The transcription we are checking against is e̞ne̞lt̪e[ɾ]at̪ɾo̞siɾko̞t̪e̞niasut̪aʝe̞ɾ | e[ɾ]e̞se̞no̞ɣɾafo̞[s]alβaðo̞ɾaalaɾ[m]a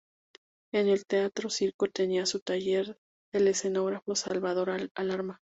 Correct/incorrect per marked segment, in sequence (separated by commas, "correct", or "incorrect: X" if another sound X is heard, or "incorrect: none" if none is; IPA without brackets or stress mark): incorrect: none, incorrect: l, correct, correct